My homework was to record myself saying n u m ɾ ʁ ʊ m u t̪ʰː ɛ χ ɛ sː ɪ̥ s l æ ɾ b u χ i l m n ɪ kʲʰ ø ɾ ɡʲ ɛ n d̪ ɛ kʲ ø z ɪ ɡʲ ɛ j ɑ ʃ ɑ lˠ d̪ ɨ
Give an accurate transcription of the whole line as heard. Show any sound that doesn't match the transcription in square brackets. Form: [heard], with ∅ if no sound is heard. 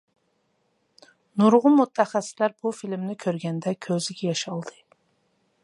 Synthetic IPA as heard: n u [∅] ɾ ʁ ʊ m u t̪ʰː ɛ χ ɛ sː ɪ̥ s l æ ɾ b u [f] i l m n ɪ kʲʰ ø ɾ ɡʲ ɛ n d̪ ɛ [kʲʰ] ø z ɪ ɡʲ ɛ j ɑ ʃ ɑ lˠ d̪ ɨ